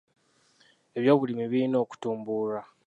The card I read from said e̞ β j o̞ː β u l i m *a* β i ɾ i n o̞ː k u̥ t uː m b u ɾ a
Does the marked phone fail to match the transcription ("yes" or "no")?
yes